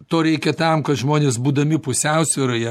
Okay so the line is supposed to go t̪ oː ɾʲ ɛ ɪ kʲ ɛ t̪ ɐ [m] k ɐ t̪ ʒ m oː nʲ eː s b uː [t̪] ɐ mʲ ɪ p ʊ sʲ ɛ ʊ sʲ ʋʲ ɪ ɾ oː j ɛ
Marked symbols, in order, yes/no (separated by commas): yes, no